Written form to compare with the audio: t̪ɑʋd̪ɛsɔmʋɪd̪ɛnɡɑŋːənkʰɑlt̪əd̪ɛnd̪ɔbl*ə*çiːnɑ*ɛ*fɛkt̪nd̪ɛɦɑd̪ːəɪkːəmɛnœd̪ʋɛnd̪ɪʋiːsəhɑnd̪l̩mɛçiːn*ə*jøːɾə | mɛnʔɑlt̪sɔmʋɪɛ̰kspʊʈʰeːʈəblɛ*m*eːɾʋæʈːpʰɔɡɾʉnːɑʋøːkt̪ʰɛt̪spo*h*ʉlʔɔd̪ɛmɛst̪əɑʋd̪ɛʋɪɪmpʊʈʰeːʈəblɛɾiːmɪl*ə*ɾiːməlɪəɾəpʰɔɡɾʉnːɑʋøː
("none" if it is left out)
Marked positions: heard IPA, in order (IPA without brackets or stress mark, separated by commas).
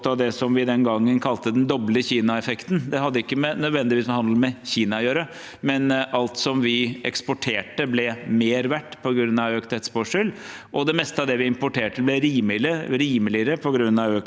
ə, ɛ, ɑ, m, ʂ, ə